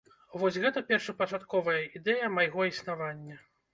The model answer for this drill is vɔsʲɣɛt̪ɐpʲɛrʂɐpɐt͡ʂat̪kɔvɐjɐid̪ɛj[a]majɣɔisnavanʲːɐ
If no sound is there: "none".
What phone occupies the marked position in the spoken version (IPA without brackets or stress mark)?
ɐ